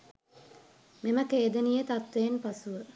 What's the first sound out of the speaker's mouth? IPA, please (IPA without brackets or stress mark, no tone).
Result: m